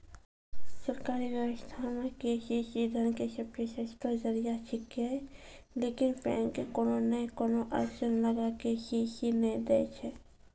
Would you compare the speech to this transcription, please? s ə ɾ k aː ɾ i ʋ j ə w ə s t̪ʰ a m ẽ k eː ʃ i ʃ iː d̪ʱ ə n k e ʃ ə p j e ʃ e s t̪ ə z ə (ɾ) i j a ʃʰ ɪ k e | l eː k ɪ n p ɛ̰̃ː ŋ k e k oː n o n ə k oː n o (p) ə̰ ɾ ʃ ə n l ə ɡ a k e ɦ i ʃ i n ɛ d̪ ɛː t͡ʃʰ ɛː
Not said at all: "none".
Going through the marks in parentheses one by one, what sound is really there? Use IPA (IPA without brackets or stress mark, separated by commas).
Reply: ɾ, ʔ